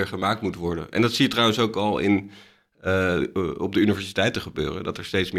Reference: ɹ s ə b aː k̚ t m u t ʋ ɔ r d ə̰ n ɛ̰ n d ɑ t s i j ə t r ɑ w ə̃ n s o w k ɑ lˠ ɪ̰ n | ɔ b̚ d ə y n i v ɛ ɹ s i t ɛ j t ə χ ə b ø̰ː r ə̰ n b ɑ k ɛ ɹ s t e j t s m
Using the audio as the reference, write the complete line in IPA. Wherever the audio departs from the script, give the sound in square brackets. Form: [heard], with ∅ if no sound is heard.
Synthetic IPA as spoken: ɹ [χ] ə [m] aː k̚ t m u t ʋ ɔ [ɹ] d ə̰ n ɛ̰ n d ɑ t s i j ə t r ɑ w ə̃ n s o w k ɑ lˠ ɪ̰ n | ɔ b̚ d ə y n i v ɛ ɹ s i t ɛ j t ə χ ə b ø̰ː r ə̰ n [d] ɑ [t] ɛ ɹ s t e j t s m